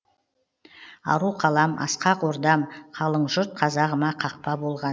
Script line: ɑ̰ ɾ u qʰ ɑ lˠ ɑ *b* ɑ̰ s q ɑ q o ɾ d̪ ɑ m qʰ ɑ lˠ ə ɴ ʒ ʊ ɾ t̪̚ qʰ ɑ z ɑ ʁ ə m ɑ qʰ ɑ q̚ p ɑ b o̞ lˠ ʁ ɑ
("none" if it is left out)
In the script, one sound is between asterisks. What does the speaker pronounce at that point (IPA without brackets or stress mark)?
m